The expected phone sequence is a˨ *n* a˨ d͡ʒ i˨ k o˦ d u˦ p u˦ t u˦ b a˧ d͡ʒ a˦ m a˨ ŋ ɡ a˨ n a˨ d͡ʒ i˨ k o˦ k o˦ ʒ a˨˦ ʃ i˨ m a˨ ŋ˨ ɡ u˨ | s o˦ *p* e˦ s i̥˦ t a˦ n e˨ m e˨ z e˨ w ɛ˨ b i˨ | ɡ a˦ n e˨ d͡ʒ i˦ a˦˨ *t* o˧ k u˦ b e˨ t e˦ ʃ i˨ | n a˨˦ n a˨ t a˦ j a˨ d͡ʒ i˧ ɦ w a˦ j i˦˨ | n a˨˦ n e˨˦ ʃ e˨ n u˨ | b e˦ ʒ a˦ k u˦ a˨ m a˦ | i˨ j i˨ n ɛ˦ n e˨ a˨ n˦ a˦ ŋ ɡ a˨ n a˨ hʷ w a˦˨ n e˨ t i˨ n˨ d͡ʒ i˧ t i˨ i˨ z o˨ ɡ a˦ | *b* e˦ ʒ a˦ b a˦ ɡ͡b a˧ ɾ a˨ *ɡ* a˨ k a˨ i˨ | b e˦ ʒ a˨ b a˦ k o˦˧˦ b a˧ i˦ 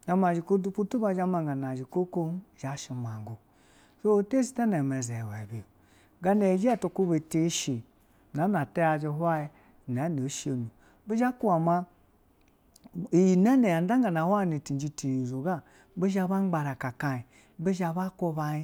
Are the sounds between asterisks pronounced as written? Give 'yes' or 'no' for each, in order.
no, no, yes, yes, no

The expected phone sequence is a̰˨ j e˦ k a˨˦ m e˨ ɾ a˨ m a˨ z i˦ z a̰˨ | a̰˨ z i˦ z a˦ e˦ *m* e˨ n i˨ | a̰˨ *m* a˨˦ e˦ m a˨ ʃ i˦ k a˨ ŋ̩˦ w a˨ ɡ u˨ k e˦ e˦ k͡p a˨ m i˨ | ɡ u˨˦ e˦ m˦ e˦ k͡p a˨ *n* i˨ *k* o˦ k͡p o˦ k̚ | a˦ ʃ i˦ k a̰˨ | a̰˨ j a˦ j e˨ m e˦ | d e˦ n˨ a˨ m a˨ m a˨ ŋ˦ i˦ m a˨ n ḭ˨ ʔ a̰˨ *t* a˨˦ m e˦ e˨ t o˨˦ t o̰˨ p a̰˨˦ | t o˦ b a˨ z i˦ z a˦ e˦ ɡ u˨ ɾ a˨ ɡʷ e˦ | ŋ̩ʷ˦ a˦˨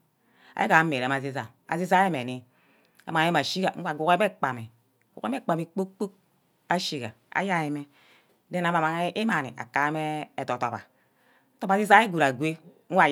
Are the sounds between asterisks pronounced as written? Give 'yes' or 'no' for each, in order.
yes, yes, no, no, no

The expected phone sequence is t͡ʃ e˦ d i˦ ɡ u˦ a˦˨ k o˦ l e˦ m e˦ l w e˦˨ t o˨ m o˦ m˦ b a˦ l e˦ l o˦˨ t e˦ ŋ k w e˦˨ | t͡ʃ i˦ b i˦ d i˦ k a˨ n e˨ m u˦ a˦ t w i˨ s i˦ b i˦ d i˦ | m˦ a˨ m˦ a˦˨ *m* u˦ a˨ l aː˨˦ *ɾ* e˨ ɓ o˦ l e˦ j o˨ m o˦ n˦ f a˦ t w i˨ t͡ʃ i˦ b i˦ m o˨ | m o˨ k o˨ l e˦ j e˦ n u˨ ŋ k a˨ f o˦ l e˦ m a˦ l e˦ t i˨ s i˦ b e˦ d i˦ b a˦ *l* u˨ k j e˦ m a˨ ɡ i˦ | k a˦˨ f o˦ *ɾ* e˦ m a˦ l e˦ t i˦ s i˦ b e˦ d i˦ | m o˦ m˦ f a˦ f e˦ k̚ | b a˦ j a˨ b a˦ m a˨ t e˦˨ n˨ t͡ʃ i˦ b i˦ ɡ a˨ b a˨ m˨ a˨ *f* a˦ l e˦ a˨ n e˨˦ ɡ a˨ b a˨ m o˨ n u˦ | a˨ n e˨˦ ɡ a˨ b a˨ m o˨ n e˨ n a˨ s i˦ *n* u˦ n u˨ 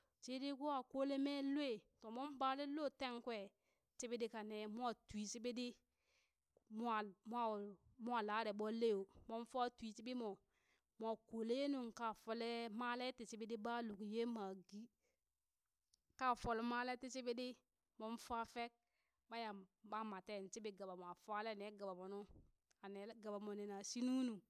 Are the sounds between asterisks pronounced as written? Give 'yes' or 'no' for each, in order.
yes, yes, yes, no, yes, yes

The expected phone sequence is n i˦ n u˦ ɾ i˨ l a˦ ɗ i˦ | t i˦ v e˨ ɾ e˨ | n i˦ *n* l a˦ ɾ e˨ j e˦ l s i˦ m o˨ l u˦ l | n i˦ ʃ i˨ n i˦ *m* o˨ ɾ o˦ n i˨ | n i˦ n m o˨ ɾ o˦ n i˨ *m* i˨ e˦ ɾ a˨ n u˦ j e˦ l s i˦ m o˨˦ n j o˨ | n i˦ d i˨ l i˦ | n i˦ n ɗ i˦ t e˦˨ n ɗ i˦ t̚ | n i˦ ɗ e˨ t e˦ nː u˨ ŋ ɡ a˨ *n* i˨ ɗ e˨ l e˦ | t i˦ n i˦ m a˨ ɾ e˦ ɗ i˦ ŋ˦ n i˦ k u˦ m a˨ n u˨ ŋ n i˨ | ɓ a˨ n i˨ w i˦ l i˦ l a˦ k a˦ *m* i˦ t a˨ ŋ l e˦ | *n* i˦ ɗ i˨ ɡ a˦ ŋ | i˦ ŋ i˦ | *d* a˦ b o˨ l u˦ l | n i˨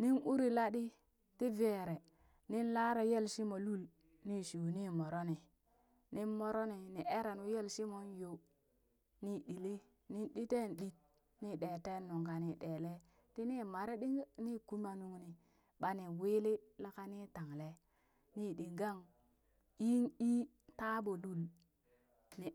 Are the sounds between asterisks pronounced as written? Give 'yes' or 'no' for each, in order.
yes, yes, no, yes, no, yes, no

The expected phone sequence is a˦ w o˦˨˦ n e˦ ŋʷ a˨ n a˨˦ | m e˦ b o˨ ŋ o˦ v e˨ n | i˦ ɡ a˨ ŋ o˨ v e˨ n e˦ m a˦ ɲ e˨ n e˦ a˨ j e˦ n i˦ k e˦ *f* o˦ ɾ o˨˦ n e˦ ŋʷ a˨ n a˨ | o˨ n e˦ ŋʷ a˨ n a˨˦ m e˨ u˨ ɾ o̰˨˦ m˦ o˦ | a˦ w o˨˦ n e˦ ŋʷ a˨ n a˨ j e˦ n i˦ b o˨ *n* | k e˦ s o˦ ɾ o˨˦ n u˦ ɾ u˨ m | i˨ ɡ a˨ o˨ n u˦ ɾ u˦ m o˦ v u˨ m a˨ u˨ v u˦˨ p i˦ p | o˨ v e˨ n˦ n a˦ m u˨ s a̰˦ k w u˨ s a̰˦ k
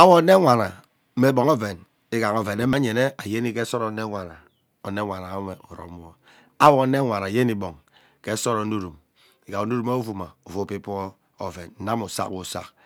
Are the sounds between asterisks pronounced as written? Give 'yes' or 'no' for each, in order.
no, no

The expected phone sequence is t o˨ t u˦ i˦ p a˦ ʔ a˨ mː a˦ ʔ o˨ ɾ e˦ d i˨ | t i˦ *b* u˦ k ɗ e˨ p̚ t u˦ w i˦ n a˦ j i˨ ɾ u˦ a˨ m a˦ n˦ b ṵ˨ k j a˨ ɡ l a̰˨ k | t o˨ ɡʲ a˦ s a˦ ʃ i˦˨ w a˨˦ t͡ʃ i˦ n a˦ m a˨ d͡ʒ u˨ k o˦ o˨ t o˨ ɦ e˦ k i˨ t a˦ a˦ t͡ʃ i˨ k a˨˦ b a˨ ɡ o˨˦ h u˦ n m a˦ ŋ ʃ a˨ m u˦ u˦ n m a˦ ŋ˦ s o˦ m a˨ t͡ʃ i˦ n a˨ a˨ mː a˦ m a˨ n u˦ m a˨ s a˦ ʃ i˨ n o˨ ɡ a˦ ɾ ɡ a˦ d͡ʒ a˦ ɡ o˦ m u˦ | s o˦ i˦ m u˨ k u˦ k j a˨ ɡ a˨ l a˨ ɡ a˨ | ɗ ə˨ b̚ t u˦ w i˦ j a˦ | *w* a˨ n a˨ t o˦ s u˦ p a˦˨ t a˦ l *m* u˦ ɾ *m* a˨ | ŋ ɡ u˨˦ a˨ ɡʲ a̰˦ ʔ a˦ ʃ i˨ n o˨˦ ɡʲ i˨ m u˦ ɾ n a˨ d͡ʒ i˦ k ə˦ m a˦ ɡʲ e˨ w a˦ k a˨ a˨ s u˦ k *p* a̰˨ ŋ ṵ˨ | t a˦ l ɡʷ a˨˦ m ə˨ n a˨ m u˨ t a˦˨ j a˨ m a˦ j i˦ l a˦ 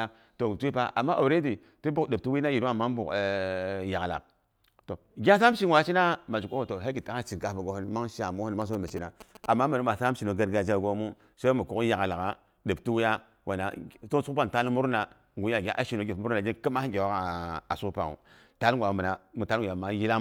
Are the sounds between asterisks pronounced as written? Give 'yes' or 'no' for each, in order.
yes, yes, yes, no, yes

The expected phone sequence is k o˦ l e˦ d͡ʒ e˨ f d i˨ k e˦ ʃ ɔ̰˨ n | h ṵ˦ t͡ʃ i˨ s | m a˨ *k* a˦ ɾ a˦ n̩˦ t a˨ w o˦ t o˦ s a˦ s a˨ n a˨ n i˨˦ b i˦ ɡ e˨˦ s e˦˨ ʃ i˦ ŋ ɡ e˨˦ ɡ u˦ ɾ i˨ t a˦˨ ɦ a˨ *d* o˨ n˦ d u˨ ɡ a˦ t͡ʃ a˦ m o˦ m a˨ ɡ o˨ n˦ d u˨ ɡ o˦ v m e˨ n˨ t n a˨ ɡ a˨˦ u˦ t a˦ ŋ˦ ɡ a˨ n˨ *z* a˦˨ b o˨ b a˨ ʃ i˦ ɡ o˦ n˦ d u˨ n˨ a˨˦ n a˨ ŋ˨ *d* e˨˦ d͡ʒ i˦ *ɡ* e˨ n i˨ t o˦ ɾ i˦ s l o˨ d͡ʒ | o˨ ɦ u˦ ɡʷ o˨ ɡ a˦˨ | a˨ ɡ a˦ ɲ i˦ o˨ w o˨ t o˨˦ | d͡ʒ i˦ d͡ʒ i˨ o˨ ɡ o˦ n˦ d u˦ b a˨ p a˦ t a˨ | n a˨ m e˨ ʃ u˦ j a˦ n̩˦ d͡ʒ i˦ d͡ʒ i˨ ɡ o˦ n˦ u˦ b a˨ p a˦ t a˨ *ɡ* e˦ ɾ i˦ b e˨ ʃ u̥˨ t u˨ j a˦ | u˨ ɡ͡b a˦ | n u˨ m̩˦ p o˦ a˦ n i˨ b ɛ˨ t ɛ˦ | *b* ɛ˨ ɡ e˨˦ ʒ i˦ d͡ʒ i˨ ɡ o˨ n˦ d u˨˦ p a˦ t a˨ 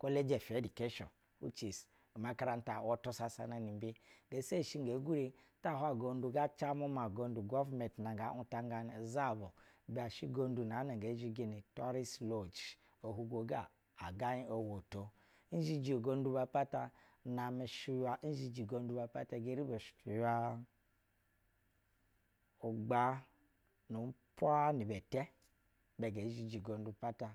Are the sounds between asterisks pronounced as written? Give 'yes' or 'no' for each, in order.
yes, no, yes, no, yes, yes, yes

